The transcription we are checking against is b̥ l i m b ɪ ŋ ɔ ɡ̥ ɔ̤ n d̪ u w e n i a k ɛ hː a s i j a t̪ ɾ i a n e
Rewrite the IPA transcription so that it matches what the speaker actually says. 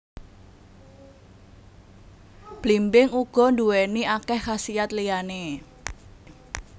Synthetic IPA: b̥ l i m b ɪ ŋ u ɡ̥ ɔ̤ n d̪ u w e n i a k ɛ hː a s i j a t̪ l i a n e